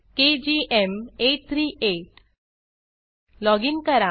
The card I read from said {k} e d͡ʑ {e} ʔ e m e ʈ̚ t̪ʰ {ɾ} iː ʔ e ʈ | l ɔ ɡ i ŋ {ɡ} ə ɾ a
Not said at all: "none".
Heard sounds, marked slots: k, i, ɾ, k

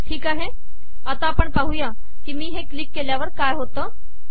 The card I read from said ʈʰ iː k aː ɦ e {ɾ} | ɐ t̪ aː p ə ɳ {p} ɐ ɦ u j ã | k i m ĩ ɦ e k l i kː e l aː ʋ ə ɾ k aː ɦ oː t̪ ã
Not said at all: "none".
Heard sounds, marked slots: none, p

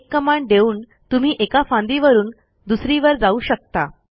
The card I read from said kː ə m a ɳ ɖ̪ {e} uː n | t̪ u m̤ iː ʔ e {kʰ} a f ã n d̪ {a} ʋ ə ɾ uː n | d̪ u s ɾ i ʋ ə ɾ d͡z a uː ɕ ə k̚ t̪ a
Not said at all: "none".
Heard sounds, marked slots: e, k, i

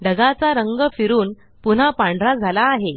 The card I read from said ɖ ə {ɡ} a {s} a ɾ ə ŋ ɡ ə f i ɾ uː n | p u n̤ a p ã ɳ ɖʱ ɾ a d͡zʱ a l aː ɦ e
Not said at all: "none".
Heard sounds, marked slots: ɡ, t͡s

